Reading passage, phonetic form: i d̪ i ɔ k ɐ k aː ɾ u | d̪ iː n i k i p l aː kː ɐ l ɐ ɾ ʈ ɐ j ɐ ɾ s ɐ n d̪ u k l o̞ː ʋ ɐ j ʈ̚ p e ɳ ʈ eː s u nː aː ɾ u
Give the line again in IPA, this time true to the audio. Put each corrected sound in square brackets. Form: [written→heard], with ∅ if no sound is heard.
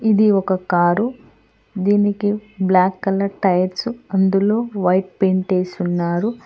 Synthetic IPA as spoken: i d̪ i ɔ k ɐ k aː ɾ u | d̪ iː n i k i [p→b] l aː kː ɐ l ɐ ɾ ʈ ɐ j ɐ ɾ s ɐ n d̪ u [k→∅] l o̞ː ʋ ɐ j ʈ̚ p e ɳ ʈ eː s u nː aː ɾ u